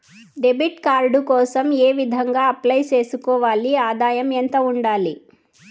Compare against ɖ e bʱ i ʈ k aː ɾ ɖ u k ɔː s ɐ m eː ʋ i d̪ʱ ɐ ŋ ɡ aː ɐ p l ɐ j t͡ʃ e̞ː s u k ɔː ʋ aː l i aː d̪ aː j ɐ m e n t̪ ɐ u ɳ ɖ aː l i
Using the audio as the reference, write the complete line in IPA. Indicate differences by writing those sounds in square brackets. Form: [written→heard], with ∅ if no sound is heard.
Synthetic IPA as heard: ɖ e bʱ i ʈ k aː ɾ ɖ u k ɔː s ɐ m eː ʋ i d̪ʱ ɐ ŋ ɡ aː ɐ p l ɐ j t͡ʃ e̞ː s u k ɔː ʋ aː l i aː d̪ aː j ɐ m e n t̪ ɐ u ɳ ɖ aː l i